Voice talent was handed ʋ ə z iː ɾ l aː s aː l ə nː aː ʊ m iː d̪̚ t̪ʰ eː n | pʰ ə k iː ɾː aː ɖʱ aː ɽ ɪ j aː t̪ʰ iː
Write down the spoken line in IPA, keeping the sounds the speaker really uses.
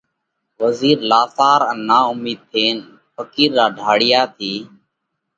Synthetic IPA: ʋ ə z iː ɾ l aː s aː ɾ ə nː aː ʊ m iː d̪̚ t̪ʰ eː n | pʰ ə k iː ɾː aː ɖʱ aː ɽ ɪ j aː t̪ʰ iː